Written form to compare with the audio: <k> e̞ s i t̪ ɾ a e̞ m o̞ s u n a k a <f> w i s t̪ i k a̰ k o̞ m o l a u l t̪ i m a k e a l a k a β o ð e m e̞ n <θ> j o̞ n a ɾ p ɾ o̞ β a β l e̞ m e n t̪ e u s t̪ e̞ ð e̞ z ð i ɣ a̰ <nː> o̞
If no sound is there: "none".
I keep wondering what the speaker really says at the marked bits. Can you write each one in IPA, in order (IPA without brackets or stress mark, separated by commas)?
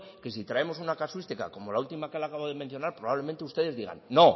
k, s, θ, nː